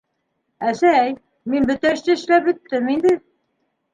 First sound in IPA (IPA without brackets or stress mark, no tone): æ